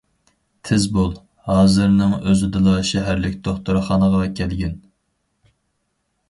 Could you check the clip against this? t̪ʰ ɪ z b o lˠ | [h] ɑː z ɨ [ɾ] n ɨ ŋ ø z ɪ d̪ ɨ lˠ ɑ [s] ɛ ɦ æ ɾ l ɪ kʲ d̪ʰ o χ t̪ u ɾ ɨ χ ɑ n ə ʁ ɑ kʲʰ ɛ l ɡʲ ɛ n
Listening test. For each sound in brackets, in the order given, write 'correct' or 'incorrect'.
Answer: correct, correct, incorrect: ʃ

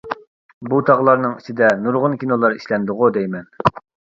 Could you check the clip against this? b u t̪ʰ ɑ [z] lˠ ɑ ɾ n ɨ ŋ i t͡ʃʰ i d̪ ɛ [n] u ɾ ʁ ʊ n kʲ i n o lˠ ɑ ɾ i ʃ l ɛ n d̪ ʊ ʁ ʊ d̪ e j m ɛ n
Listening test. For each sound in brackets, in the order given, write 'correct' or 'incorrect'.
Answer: incorrect: ʁ, correct

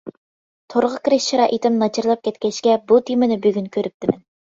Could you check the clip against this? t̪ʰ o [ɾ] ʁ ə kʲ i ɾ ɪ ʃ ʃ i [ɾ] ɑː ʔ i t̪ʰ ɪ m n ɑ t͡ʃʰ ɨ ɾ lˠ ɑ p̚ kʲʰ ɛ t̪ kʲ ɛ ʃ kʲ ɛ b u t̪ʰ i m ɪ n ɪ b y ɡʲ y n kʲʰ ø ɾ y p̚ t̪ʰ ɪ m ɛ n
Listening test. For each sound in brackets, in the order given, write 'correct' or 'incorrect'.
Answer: correct, correct

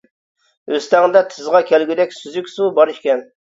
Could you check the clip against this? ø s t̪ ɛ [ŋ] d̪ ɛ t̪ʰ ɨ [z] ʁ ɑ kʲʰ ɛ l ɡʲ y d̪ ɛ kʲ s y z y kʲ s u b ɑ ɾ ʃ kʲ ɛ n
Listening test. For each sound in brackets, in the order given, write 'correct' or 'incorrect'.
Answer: correct, correct

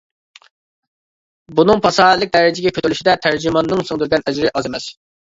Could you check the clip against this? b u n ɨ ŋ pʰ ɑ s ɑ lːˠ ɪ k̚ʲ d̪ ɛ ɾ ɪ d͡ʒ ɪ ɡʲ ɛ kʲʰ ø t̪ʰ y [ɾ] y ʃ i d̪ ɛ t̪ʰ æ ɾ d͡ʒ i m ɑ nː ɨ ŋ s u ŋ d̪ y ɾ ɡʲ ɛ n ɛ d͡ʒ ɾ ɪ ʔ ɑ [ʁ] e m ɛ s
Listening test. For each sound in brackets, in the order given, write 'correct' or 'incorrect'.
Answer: incorrect: l, incorrect: z

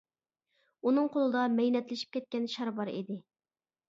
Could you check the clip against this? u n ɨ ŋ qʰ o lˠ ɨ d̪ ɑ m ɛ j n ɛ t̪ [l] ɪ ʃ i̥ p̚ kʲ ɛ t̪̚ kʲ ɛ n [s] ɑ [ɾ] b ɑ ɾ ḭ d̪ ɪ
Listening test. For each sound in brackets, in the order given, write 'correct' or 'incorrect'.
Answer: correct, incorrect: ʃ, correct

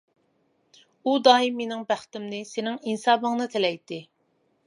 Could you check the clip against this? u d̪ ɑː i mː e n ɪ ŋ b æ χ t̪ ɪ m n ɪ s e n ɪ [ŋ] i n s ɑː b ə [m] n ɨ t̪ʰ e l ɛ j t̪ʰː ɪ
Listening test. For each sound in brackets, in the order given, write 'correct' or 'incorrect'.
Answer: correct, incorrect: ŋ

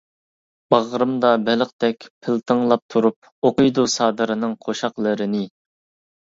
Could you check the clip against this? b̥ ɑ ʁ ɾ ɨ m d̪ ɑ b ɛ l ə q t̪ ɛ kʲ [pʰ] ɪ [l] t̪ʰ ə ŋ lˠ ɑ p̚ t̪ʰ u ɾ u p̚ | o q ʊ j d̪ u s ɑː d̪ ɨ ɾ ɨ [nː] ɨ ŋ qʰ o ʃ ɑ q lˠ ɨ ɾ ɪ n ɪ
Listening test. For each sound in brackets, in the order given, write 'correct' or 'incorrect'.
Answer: correct, correct, incorrect: n

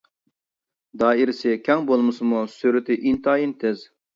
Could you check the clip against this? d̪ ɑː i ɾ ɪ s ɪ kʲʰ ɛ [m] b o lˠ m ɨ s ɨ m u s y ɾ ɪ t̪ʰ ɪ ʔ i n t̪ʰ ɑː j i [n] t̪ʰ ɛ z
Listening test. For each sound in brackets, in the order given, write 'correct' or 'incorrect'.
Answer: incorrect: ŋ, correct

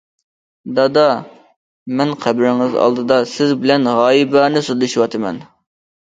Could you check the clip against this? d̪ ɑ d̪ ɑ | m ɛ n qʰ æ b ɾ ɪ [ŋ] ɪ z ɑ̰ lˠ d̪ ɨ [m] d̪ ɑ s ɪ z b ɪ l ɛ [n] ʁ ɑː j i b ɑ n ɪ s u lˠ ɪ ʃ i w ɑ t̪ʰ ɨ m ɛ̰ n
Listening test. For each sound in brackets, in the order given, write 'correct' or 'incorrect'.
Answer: correct, incorrect: none, correct

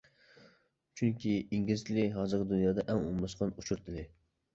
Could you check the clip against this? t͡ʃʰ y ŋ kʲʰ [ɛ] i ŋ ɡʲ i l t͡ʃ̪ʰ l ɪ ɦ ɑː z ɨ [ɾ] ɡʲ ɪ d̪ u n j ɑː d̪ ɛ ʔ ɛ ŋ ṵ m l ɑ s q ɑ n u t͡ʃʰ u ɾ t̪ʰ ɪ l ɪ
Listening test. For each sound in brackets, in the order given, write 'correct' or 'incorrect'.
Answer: incorrect: i, correct

